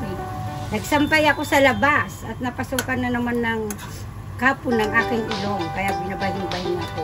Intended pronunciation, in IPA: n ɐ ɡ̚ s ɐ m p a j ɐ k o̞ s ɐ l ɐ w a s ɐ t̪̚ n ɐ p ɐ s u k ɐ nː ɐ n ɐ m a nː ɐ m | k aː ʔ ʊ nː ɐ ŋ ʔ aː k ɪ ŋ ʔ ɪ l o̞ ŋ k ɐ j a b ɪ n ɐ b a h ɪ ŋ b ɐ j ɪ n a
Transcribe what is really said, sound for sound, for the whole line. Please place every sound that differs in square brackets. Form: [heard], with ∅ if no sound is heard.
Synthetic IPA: n ɐ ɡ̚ s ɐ m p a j ɐ k o̞ s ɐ l ɐ [b] a s ɐ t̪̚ n ɐ p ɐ s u k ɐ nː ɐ n ɐ m a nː ɐ [ŋ] | k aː [p] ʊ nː ɐ ŋ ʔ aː k ɪ ŋ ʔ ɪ l o̞ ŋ k ɐ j a b ɪ n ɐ b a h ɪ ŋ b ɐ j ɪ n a